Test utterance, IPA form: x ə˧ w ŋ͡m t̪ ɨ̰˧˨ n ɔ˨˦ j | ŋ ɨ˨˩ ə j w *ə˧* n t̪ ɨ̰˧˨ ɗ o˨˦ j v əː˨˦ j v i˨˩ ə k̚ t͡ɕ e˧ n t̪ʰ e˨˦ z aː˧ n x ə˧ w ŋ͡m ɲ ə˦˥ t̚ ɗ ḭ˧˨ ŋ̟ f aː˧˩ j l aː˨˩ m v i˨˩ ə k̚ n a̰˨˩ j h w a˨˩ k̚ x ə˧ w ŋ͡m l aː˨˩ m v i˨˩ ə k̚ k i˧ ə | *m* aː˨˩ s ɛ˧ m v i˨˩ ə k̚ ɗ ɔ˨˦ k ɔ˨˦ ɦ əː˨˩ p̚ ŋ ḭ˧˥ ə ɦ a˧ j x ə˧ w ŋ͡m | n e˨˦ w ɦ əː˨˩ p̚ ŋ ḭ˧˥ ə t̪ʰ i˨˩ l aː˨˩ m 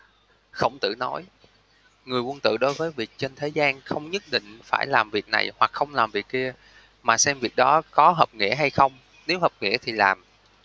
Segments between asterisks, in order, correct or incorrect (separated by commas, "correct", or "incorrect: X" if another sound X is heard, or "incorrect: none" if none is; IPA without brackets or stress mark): correct, correct